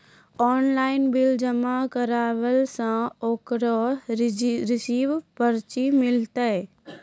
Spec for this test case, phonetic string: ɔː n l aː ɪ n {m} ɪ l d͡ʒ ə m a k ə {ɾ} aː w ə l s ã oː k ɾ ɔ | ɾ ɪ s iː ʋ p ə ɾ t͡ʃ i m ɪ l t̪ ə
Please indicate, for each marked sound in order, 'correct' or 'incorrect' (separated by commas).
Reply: incorrect, correct